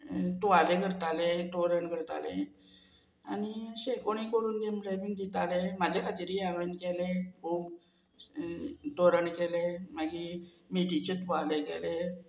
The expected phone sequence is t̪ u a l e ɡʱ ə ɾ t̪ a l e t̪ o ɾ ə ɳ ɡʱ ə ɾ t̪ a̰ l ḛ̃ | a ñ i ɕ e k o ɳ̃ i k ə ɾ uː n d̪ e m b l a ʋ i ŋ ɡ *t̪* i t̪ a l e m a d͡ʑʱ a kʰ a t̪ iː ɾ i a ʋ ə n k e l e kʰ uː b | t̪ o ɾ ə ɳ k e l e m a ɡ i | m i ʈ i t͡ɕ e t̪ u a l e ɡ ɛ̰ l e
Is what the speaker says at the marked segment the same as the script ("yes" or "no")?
no